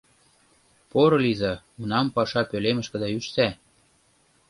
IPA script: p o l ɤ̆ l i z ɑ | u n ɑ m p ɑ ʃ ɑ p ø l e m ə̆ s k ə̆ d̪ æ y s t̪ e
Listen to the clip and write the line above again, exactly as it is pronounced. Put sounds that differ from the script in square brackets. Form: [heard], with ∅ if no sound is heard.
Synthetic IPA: p o [ɾ] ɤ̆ l i z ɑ | u n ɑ m p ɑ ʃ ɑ p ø l e m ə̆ [ʃ] k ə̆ d̪ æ y [ʃ] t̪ [æ]

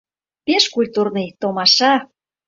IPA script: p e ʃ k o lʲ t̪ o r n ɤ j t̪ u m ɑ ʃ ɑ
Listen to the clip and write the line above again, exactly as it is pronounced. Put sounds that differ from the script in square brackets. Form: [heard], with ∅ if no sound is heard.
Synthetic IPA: p e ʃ k [u] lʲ t̪ [u] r n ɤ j t̪ [o] m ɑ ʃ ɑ

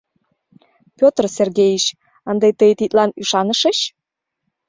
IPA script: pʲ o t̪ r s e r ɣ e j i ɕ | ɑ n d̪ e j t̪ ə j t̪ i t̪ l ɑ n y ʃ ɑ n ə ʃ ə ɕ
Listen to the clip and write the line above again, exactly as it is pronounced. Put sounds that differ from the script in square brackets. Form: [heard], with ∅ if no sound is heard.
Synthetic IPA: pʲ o t̪ r s e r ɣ e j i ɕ | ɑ n d̪ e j t̪ ə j t̪ i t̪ l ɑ n y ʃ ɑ n ə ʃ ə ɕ

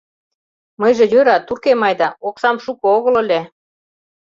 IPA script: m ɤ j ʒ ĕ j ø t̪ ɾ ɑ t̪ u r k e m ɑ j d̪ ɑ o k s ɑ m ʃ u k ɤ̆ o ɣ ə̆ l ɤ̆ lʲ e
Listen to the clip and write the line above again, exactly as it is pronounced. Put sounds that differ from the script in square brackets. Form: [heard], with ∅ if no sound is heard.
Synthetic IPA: m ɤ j ʒ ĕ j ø [∅] ɾ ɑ t̪ u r k e m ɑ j d̪ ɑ o k s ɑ m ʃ u k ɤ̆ o ɣ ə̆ l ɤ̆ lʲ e

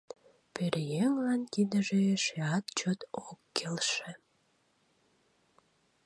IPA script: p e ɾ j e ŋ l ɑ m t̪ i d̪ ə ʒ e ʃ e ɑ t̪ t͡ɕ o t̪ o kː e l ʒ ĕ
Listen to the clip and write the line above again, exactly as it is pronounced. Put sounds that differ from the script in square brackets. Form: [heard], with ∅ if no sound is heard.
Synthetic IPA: p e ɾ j e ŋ l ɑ [n] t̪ i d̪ ə ʒ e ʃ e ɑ t̪ t͡ɕ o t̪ o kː e l [ʃ] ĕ

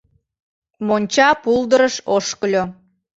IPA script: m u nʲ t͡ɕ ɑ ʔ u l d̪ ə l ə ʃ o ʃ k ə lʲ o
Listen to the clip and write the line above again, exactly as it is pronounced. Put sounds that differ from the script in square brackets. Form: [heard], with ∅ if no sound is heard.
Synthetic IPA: m [o] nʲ t͡ɕ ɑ [p] u l d̪ ə [ɾ] ə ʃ o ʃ k ə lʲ o

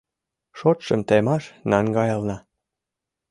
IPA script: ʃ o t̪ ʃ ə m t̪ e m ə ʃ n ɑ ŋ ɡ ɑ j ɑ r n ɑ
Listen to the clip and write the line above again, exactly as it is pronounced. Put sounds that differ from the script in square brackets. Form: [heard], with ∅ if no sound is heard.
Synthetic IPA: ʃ o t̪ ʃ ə m t̪ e m [ɑ] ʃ n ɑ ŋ ɡ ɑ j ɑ [l] n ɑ

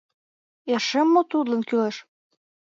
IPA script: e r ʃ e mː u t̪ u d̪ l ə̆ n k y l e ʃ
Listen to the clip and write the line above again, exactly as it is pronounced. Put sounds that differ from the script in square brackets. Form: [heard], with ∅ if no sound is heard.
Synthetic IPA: e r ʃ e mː [o] t̪ u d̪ l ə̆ n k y l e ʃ

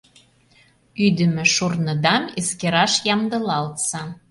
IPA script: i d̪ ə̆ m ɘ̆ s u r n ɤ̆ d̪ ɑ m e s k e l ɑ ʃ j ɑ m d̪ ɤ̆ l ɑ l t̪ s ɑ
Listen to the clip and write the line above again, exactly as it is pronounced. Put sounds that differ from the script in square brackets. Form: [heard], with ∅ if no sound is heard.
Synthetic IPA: [y] d̪ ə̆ m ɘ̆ [ʃ] u r n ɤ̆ d̪ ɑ m e s k e [ɾ] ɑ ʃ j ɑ m d̪ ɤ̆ l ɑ l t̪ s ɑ

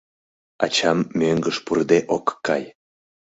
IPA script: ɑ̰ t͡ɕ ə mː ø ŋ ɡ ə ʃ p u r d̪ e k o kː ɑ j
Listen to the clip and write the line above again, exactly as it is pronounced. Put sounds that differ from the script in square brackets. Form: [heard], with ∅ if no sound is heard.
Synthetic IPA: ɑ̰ t͡ɕ [ɑ] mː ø ŋ ɡ ə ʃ p u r d̪ e [ʔ] o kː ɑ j

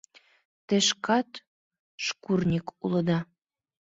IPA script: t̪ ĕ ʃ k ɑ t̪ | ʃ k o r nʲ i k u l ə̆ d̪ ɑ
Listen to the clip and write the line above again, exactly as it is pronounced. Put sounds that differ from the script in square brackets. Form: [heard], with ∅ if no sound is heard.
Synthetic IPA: t̪ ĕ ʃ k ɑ t̪ | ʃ k [u] r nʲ i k u l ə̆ d̪ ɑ

